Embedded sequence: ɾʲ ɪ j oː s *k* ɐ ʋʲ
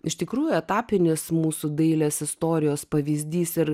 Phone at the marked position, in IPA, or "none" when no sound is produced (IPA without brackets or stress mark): p